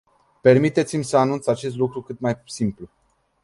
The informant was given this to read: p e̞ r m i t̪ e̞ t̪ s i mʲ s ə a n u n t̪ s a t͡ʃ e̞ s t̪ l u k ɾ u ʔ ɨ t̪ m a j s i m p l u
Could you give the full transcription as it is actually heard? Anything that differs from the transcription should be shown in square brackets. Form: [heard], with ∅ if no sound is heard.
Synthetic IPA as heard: p e̞ r m i t̪ e̞ t̪ s i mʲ s ə a n u n t̪ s a t͡ʃ e̞ s t̪ l u k ɾ u [k] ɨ t̪ m a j s i m p l u